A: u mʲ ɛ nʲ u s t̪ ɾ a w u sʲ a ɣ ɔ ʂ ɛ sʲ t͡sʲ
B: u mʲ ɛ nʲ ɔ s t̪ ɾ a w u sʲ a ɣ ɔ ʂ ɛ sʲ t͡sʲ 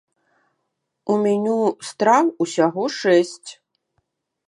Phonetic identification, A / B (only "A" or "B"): A